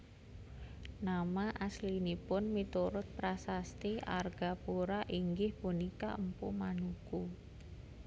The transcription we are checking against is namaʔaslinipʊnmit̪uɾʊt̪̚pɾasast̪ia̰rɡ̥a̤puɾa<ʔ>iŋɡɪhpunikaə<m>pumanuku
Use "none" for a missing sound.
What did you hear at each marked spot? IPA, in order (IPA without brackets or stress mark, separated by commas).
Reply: ʔ, m